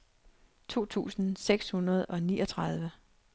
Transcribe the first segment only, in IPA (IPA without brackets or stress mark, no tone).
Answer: t͡sʰ